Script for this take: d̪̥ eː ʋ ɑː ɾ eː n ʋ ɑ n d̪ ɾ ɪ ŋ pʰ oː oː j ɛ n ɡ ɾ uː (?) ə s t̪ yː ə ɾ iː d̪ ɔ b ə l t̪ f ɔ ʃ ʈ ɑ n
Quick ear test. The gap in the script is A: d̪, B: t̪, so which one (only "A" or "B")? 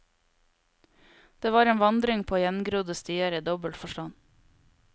A